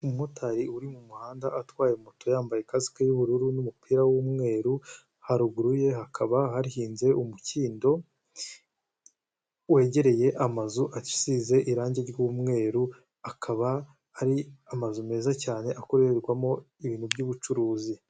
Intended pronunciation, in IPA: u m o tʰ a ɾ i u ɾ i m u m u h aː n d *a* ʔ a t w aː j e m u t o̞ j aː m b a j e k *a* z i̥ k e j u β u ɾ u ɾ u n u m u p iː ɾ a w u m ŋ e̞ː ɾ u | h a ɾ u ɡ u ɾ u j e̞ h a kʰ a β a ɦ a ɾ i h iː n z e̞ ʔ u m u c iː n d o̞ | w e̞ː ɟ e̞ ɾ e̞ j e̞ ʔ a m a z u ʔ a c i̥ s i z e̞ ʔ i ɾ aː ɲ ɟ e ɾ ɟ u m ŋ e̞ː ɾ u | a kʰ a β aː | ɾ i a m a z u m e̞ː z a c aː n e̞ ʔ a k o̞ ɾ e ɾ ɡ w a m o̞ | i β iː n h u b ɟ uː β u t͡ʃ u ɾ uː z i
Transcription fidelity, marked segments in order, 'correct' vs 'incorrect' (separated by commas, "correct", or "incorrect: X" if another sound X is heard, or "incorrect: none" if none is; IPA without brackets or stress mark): correct, correct